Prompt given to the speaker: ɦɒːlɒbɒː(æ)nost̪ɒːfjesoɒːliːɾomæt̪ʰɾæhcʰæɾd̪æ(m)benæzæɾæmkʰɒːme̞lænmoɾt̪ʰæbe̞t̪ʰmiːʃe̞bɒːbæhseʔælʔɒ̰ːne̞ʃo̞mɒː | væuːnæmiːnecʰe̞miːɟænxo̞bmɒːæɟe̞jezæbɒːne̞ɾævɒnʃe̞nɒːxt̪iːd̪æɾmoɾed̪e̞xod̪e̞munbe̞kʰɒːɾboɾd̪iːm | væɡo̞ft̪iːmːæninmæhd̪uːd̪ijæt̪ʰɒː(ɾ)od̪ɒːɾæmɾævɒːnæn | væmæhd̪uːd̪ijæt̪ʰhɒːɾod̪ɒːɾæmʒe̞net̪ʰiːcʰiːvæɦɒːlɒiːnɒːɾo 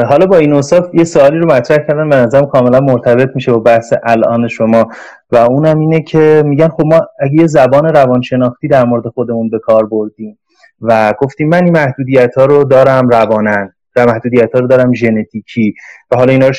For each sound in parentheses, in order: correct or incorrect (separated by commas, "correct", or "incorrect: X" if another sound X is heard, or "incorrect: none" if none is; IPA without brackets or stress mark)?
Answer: incorrect: i, incorrect: n, correct